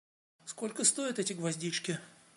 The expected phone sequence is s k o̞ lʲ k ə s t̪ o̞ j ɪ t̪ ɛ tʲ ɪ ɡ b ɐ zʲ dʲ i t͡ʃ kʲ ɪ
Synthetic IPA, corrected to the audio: s k o̞ lʲ k ə s t̪ o̞ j ɪ t̪ ɛ tʲ ɪ ɡ v ɐ zʲ dʲ i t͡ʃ kʲ ɪ